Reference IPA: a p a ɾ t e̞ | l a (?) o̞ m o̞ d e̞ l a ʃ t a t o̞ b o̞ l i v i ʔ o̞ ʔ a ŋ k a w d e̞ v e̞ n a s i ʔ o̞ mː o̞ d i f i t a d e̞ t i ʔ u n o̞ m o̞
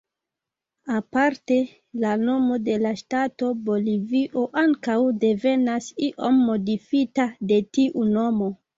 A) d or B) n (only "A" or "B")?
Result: B